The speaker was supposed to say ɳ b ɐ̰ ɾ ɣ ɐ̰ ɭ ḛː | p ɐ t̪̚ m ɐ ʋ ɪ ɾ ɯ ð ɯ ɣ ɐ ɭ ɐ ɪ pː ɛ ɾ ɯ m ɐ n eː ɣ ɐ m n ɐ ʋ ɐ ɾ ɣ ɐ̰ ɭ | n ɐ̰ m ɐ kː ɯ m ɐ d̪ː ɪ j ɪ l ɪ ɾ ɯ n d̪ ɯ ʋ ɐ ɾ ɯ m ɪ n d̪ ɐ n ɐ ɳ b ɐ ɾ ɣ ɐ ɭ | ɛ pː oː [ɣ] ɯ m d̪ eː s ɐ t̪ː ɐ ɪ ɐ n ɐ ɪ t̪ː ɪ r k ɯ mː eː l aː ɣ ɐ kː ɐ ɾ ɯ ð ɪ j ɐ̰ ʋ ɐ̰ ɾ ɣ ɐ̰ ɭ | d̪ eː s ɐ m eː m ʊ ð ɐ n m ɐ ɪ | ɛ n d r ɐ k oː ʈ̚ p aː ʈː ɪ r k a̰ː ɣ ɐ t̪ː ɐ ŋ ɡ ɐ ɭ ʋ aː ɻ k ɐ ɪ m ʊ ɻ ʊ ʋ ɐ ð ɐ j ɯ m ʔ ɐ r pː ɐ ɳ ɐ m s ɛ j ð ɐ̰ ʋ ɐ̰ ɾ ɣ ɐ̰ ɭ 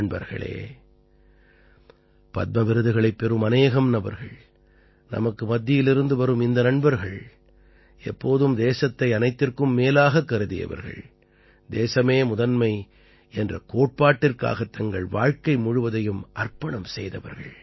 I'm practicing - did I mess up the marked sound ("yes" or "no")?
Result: yes